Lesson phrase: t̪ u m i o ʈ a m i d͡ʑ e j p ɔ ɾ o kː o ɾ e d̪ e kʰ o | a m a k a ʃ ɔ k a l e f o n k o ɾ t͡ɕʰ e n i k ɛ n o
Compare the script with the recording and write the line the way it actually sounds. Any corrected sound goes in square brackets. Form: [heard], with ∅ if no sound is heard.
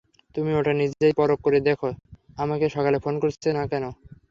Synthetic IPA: t̪ u m i o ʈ a [n] i d͡ʑ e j p ɔ ɾ o kː o ɾ e d̪ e kʰ o | a m a k [e] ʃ ɔ k a l e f o n k o ɾ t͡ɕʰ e n [a] k ɛ n o